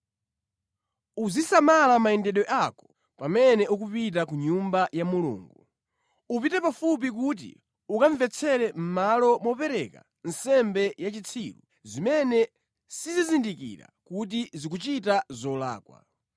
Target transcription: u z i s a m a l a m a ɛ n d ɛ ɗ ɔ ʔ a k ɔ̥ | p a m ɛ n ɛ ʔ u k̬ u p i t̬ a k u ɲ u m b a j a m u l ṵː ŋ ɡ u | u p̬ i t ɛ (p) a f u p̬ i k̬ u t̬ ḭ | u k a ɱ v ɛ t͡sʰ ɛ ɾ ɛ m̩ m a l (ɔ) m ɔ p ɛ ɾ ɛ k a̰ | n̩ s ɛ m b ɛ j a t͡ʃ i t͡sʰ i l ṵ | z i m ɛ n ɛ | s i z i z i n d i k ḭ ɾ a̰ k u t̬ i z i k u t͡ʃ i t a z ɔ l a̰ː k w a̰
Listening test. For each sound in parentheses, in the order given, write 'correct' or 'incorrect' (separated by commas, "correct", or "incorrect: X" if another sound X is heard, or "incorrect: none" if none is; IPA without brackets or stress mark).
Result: correct, correct